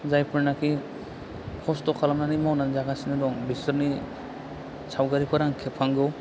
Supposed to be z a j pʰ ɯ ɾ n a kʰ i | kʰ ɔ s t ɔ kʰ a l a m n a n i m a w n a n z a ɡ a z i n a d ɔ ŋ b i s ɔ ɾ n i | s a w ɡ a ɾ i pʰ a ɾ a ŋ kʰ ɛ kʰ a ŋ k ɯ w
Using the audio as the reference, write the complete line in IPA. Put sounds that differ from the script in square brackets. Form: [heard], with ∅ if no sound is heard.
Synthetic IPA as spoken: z a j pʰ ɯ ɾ n a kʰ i | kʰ ɔ s t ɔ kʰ a l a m n a n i m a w n a n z a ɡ a [s] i n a d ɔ ŋ b i s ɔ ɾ n i | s a w ɡ a ɾ i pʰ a ɾ a ŋ kʰ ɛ [pʰ] a ŋ [ɡ] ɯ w